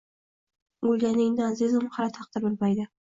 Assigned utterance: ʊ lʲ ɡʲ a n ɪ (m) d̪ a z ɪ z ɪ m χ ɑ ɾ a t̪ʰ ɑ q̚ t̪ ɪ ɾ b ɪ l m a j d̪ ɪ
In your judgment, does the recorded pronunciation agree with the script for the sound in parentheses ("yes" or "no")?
no